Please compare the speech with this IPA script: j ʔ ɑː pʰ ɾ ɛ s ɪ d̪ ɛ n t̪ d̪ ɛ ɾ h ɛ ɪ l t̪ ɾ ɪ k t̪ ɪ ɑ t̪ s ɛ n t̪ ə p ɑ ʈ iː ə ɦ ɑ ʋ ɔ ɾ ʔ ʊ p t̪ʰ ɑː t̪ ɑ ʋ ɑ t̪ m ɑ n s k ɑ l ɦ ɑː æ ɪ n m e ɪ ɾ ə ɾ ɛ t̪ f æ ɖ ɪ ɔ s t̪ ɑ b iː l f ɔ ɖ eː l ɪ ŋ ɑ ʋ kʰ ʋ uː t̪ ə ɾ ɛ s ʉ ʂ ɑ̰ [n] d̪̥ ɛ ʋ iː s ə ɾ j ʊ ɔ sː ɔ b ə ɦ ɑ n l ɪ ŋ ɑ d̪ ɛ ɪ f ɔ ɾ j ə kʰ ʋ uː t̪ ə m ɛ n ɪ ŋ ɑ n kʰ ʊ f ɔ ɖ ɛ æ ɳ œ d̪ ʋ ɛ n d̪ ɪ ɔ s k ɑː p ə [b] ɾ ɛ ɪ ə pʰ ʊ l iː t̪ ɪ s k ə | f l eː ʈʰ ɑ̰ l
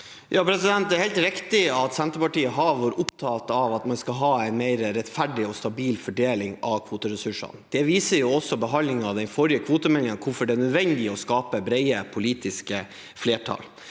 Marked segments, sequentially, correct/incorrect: correct, correct

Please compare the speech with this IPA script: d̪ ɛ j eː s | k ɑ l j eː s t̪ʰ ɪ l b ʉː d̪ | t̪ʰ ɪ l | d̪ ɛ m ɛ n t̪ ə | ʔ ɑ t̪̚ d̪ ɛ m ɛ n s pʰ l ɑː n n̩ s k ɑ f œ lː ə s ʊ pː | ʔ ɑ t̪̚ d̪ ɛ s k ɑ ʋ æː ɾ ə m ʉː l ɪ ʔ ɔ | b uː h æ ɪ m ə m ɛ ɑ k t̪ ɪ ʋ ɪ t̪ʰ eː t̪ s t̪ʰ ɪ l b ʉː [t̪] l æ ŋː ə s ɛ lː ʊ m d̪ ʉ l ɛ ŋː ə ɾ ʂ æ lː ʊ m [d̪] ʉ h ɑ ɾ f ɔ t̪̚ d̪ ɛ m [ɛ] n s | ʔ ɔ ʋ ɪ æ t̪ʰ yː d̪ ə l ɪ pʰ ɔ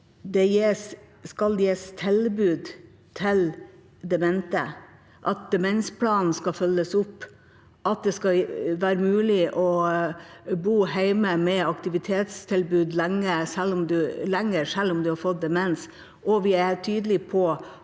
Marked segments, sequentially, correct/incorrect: incorrect: d̪, correct, correct

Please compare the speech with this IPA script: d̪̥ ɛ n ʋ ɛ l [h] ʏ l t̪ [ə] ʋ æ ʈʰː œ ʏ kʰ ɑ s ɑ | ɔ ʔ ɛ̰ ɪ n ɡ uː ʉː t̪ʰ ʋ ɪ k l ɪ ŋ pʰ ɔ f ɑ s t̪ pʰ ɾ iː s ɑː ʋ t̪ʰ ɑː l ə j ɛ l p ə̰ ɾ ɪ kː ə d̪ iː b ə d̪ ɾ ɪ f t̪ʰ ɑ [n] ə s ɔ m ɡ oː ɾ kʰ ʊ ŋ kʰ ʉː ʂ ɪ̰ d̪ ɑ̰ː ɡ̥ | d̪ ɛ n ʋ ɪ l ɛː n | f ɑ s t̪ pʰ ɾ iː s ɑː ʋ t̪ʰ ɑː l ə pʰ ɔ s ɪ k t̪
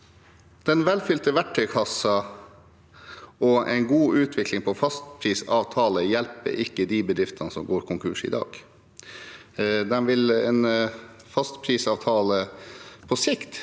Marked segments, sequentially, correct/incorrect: incorrect: f, correct, correct

